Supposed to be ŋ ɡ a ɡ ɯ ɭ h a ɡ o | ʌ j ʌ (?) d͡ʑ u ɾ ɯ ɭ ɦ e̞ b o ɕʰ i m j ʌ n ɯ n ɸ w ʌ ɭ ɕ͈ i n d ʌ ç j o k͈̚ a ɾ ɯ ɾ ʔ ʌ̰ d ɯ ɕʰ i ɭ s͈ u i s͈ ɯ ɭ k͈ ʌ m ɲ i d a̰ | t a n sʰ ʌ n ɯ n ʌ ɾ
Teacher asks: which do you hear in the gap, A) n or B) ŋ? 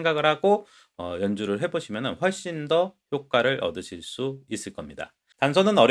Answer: A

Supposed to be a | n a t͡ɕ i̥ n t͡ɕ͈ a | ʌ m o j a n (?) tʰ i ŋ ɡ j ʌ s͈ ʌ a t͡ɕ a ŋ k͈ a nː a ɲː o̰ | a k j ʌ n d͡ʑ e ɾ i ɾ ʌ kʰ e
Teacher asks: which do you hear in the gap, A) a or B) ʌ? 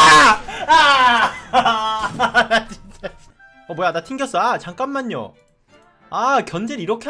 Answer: A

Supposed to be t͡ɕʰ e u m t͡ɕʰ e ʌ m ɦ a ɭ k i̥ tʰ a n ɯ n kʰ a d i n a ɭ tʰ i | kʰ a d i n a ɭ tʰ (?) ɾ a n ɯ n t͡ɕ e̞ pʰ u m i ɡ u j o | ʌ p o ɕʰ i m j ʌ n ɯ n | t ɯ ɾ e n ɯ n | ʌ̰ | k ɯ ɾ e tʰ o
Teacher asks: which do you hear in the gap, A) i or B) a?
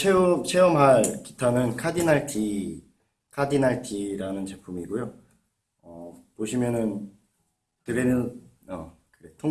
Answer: A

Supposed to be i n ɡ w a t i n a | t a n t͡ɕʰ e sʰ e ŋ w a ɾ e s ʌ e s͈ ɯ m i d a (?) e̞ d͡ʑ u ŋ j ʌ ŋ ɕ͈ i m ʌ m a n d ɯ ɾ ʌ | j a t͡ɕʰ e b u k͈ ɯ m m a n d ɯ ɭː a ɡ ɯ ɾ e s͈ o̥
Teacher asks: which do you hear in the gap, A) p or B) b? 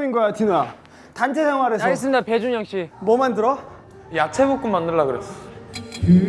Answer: A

